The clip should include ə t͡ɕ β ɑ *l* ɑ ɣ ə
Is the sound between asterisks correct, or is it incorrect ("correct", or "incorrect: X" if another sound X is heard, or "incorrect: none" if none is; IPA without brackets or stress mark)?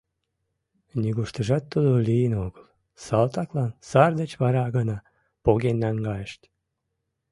incorrect: ɾ